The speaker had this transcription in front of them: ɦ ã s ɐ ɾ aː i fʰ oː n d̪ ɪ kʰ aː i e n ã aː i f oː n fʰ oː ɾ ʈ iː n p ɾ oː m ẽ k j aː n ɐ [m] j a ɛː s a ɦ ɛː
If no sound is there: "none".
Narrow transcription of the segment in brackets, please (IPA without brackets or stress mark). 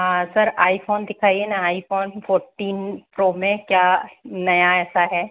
none